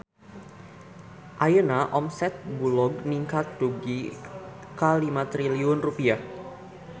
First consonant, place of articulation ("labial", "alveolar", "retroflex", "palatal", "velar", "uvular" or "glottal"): glottal